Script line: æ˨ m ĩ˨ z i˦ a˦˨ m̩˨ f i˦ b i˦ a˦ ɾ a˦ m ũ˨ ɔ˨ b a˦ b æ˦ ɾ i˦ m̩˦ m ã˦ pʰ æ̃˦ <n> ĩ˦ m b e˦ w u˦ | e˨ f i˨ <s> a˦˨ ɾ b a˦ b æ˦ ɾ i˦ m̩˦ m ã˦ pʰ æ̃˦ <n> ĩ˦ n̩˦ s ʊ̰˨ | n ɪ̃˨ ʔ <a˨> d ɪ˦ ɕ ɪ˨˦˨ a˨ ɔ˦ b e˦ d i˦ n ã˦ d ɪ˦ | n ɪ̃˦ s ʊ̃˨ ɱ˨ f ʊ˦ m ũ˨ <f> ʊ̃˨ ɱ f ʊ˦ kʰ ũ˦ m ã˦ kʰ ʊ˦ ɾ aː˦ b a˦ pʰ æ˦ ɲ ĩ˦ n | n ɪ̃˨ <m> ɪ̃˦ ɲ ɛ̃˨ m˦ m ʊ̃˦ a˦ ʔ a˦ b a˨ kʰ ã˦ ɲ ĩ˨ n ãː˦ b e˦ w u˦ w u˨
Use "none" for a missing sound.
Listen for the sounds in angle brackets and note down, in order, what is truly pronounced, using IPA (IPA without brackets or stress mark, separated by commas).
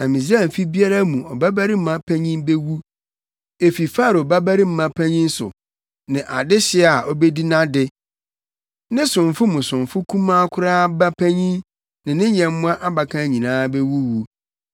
ɲ, f, ɲ, a˨, s, n